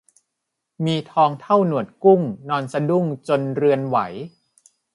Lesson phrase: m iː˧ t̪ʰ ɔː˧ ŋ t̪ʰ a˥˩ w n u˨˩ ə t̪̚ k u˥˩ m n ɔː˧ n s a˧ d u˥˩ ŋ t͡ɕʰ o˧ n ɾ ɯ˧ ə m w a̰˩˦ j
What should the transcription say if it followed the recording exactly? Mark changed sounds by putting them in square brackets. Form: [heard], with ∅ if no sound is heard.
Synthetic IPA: m iː˧ t̪ʰ ɔː˧ ŋ t̪ʰ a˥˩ w n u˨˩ ə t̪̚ k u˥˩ [ŋ] n ɔː˧ n s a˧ d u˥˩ ŋ [t͡ɕ] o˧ n ɾ ɯ˧ ə [n] w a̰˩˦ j